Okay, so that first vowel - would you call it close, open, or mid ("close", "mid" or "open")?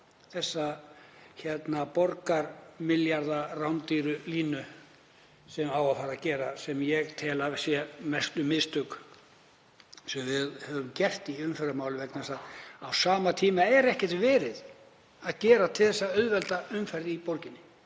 mid